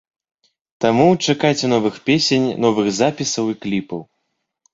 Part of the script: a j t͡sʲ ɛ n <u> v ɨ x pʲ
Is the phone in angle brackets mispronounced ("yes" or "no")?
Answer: yes